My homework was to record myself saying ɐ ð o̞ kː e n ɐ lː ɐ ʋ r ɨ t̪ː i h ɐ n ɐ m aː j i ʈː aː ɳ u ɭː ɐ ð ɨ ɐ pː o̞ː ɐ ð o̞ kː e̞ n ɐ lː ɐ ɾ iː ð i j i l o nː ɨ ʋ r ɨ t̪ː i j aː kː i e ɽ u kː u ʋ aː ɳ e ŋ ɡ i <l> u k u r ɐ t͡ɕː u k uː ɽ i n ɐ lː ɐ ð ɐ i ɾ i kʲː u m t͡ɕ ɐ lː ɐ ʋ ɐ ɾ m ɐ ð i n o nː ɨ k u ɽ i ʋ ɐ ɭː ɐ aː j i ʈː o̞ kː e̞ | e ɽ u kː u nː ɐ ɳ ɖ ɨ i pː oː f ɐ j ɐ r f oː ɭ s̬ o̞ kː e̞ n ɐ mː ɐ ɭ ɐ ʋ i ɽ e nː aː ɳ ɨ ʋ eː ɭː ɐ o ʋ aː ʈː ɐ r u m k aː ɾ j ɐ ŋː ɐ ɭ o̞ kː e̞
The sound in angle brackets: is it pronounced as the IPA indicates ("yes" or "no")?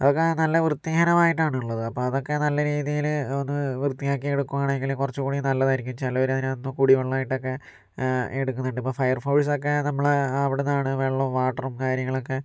yes